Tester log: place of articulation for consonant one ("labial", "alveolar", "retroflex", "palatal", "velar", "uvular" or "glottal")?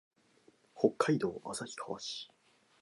glottal